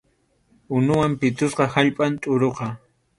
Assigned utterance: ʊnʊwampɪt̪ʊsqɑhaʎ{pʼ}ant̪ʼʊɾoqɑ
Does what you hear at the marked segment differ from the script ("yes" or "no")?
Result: no